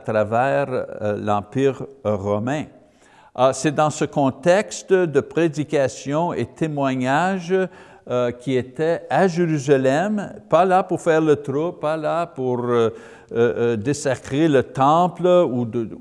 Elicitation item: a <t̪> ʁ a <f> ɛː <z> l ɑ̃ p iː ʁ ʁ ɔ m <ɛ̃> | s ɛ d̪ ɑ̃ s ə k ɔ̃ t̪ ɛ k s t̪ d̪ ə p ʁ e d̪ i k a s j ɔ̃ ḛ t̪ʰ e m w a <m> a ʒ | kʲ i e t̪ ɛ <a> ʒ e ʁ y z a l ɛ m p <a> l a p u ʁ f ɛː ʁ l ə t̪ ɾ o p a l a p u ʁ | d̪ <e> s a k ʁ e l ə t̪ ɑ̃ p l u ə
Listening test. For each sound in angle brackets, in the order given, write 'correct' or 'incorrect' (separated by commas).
correct, incorrect, incorrect, correct, incorrect, correct, correct, correct